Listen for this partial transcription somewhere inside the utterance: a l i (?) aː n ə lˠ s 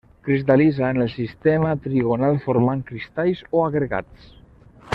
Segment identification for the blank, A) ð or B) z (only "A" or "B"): B